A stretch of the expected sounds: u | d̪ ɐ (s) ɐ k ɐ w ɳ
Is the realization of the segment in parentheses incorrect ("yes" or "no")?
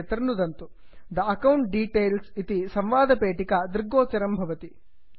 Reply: yes